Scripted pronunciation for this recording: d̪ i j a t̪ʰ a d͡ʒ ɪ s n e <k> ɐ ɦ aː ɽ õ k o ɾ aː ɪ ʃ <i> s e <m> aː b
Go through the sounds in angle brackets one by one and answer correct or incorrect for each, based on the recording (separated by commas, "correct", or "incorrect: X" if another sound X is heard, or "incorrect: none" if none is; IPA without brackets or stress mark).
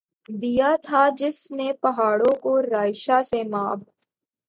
incorrect: p, incorrect: a, correct